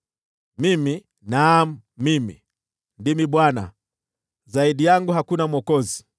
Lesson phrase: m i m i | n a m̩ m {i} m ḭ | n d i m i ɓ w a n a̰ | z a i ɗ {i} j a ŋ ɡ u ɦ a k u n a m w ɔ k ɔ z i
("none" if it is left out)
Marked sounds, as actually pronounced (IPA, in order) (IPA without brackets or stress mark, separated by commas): i, i